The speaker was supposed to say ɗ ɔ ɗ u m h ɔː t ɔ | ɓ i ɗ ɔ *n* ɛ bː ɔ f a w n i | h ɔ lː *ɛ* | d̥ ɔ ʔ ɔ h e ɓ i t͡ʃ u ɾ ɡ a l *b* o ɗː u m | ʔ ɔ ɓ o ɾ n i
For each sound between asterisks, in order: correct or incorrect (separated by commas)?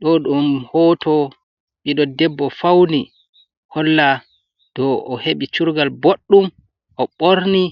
incorrect, incorrect, correct